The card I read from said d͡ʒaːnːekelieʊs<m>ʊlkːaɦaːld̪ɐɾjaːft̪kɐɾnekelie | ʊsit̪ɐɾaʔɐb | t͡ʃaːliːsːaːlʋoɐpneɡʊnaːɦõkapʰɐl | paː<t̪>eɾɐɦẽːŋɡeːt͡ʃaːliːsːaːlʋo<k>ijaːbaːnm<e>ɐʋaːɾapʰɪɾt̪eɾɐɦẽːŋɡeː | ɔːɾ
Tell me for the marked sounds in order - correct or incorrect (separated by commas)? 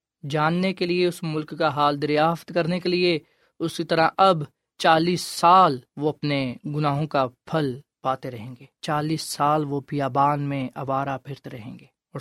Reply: correct, correct, incorrect, incorrect